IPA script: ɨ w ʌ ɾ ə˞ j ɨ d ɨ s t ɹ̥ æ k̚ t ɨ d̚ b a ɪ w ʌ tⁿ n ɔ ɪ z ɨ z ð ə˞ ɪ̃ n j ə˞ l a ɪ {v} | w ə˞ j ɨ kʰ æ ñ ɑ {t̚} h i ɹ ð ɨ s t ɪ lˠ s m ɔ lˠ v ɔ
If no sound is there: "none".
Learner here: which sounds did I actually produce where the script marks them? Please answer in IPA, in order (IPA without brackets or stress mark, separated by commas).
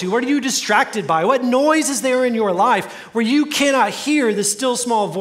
f, t̚